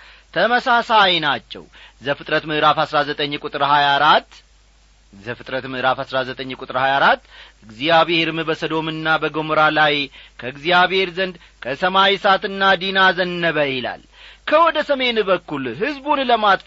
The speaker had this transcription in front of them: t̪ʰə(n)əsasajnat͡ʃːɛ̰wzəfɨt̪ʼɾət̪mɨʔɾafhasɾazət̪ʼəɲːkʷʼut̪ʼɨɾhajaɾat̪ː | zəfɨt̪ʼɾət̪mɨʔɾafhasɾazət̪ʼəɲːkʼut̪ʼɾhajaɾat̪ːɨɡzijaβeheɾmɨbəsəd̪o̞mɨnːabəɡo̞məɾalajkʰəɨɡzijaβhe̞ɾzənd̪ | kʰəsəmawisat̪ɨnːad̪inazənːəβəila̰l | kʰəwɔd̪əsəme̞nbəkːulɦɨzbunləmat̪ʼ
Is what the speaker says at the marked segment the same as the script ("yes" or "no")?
no